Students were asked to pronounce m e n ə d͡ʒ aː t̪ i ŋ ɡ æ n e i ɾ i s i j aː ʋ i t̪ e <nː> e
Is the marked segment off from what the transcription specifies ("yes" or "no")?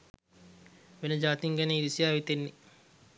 no